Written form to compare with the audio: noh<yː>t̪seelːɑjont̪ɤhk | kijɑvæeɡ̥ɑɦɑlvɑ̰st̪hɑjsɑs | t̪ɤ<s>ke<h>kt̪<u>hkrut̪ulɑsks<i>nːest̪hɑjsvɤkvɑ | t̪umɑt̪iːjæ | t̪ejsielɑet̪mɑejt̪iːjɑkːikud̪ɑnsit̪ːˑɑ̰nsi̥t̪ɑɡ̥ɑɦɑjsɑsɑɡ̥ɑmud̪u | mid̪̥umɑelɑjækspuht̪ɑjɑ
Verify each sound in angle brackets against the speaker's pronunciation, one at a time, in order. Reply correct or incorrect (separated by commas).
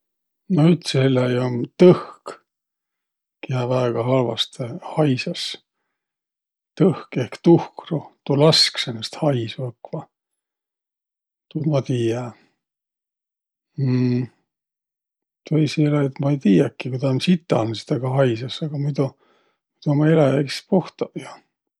incorrect, incorrect, correct, correct, incorrect